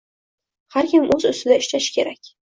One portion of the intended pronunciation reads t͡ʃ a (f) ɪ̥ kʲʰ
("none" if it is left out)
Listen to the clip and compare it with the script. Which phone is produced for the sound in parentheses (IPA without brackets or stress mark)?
ʃ